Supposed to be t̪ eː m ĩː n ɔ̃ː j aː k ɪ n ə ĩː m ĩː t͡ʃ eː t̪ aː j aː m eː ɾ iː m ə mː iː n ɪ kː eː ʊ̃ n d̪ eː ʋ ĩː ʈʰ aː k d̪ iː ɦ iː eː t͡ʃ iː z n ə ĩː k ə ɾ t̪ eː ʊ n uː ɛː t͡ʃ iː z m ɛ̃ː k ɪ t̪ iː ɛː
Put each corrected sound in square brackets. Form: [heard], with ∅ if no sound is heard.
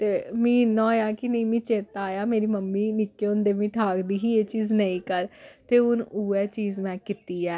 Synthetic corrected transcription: t̪ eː m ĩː n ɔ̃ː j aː k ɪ n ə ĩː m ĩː t͡ʃ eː t̪ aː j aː m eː ɾ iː m ə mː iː n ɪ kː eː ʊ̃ n d̪ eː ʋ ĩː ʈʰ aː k d̪ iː ɦ iː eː t͡ʃ iː z n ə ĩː k ə ɾ t̪ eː ʊ n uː ɛː t͡ʃ iː z m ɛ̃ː k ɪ t̪ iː ɛː